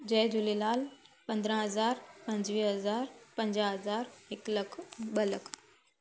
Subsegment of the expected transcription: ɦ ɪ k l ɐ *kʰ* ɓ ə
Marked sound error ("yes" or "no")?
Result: no